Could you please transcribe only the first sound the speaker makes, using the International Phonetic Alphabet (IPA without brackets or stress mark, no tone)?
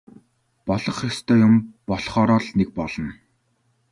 p